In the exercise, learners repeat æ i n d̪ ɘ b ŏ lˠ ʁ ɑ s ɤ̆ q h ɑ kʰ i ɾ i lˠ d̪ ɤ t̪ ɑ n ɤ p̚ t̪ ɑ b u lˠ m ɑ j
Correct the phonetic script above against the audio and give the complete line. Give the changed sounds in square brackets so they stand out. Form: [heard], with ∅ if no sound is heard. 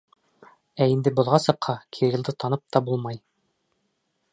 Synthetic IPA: æ i n d̪ ɘ b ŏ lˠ ʁ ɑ s ɤ̆ q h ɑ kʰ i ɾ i lˠ d̪ ɤ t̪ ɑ n ɤ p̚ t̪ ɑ b u lˠ m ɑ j